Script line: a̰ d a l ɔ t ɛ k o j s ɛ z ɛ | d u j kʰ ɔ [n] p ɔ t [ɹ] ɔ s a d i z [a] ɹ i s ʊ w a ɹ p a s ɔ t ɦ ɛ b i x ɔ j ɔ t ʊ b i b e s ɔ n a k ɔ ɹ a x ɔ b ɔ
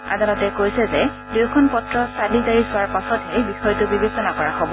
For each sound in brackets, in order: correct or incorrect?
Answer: correct, correct, correct

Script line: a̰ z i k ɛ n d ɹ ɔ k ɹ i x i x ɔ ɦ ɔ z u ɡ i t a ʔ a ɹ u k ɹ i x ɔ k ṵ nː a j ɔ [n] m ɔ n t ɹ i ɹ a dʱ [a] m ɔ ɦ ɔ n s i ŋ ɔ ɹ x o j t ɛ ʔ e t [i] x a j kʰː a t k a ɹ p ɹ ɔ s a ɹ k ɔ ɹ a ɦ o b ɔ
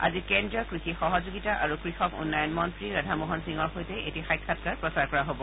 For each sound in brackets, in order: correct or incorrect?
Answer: correct, correct, correct

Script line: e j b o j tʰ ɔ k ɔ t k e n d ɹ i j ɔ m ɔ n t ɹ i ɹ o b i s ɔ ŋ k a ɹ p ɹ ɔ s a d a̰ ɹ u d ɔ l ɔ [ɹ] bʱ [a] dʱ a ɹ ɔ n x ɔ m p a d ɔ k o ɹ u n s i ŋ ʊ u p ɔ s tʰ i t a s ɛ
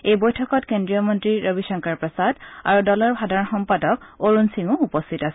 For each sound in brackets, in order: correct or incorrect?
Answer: correct, correct

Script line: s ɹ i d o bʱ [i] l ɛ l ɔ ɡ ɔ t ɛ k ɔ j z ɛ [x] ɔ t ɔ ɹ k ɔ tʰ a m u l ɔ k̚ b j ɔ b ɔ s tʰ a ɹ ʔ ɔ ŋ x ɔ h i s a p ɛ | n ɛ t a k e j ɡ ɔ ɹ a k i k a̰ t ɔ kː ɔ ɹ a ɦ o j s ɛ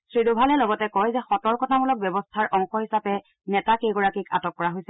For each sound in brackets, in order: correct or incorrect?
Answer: incorrect, correct

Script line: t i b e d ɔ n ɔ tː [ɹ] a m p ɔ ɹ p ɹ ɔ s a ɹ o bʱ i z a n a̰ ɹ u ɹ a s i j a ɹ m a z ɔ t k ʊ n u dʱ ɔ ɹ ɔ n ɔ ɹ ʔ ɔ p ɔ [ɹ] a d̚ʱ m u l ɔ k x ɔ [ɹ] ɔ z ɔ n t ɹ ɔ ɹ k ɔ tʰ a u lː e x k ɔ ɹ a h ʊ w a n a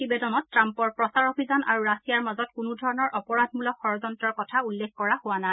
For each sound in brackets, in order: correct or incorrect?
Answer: correct, correct, correct

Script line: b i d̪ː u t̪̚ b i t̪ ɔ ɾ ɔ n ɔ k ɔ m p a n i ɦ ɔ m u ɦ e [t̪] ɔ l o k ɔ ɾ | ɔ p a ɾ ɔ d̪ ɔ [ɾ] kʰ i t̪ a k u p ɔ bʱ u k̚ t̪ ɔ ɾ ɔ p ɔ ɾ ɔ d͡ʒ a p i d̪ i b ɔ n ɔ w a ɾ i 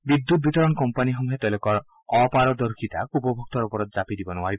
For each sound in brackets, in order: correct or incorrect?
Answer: correct, correct

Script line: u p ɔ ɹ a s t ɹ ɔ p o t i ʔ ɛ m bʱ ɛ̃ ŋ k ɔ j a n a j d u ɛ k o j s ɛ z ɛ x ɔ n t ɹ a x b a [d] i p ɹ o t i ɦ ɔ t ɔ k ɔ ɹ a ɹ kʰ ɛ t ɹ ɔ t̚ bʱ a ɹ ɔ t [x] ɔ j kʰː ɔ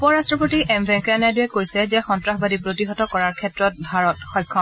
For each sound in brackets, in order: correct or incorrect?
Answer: correct, correct

